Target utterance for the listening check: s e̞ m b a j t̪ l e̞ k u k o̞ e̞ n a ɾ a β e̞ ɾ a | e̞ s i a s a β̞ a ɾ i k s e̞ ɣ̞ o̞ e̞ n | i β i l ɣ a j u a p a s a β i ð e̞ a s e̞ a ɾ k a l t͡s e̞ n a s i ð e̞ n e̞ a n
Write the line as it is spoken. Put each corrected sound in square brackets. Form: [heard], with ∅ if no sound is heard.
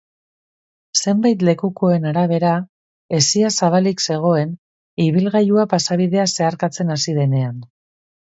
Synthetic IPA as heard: s e̞ m b a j t̪ l e̞ k u k o̞ e̞ n a ɾ a β e̞ ɾ a | e̞ s i a s a β̞ a [l] i k s e̞ ɣ̞ o̞ e̞ n | i β i l ɣ a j u a p a s a β i ð e̞ a s e̞ a ɾ k a [∅] t͡s e̞ n a s i ð e̞ n e̞ a n